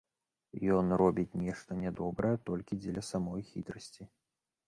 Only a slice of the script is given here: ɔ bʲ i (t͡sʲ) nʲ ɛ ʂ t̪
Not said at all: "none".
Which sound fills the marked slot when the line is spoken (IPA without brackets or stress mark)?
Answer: t͡sʲ